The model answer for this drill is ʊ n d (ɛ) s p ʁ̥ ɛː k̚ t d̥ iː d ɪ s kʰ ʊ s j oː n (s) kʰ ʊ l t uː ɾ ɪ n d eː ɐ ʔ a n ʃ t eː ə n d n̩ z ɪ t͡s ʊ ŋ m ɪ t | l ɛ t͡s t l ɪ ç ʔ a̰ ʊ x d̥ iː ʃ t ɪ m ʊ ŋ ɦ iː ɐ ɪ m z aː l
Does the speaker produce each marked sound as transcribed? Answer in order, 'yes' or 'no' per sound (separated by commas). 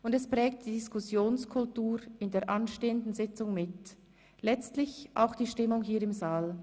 yes, yes